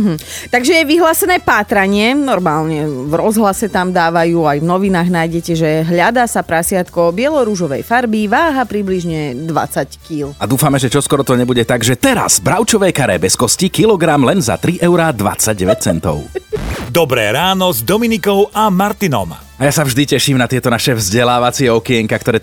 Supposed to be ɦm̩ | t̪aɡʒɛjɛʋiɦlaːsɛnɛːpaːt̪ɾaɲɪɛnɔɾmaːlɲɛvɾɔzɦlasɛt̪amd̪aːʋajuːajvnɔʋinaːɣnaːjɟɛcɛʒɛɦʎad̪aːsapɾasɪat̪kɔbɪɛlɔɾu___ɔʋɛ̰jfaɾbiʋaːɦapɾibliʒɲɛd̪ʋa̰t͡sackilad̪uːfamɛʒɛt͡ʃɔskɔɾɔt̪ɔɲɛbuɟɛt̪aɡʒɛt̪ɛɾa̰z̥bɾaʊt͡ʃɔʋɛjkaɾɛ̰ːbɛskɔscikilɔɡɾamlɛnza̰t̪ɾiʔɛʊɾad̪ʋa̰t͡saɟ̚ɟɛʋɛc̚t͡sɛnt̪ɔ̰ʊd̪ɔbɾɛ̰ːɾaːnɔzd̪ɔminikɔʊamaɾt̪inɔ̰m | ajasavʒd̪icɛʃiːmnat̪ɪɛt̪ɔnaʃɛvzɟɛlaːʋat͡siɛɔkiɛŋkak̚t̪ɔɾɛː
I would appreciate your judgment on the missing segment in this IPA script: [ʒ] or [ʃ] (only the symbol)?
ʒ